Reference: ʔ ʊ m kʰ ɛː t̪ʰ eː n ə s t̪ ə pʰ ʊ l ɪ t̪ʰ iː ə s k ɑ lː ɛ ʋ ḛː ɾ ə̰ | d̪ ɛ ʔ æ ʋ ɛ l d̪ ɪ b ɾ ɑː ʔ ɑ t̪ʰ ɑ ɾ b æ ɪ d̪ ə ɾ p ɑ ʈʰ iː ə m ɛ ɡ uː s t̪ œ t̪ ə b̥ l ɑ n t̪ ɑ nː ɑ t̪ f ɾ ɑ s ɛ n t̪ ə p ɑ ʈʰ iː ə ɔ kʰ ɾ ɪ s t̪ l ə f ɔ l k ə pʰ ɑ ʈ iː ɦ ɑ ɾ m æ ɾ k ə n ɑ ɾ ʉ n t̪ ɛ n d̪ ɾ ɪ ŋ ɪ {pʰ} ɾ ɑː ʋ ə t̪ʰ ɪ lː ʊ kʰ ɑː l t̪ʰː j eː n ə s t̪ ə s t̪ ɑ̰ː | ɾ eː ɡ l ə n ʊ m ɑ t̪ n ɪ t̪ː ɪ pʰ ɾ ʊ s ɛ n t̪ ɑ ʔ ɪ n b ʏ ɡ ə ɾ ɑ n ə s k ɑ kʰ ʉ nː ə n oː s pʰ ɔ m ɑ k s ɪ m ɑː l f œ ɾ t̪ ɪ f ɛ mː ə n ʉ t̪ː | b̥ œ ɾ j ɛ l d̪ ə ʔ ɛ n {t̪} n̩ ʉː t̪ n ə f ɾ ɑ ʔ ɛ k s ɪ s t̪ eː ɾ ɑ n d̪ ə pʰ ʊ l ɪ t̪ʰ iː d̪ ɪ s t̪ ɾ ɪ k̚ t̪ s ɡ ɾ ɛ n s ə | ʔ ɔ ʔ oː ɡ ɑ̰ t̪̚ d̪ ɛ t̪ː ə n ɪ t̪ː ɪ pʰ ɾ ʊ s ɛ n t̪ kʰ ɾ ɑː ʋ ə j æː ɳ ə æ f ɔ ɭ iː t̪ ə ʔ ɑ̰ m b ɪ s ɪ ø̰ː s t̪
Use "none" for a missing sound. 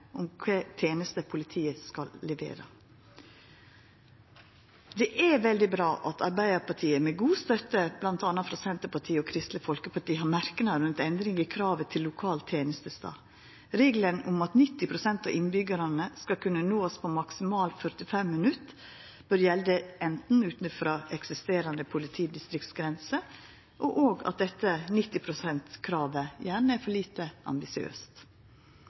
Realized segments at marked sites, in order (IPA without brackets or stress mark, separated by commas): kʰ, t̪